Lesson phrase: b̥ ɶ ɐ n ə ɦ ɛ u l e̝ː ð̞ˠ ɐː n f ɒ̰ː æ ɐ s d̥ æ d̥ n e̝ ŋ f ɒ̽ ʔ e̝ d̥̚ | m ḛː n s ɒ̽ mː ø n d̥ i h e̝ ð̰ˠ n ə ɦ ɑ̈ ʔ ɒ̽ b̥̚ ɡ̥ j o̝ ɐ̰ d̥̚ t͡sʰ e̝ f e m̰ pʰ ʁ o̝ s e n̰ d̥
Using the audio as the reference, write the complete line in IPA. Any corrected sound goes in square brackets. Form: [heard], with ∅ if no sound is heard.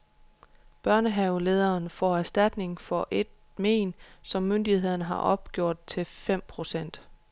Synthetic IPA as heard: b̥ ɶ ɐ n ə ɦ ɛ [ʊ] l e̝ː ð̞ˠ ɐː n f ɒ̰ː æ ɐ s d̥ æ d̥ n e̝ ŋ f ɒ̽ ʔ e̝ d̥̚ | m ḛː n s ɒ̽ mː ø n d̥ i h e̝ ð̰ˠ n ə ɦ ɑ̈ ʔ ɒ̽ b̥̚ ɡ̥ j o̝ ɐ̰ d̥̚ t͡sʰ e̝ f e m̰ pʰ ʁ o̝ s e n̰ d̥